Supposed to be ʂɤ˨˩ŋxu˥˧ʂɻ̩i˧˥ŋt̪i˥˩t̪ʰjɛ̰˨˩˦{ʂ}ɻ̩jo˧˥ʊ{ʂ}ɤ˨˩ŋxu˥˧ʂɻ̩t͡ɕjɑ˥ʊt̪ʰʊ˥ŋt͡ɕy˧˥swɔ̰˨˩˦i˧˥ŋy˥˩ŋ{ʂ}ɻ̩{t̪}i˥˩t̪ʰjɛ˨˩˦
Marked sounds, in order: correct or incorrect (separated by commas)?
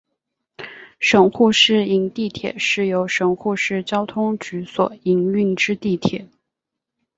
correct, correct, incorrect, correct